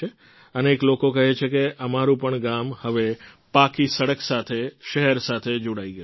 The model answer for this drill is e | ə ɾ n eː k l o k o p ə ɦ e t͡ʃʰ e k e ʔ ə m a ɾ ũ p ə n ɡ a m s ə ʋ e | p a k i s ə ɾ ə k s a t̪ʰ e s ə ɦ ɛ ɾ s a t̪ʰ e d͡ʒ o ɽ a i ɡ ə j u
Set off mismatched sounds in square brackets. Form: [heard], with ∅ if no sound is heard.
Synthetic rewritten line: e | ə [∅] n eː k l o k o [k] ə ɦ e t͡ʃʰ e k e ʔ ə m a ɾ ũ p ə [ɳ] ɡ a m [h] ə ʋ e | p a k i s ə [ɽ] ə k s a t̪ʰ e [ʃ] ə ɦ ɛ ɾ s a t̪ʰ e d͡ʒ o ɽ a i ɡ ə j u